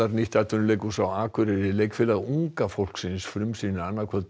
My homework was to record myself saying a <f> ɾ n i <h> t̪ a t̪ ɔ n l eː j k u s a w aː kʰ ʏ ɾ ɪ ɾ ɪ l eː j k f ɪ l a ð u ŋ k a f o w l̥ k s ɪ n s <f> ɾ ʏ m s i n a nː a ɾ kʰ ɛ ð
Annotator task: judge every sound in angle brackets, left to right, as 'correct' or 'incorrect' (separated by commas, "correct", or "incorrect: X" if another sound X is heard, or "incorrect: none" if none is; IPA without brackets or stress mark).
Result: incorrect: none, correct, correct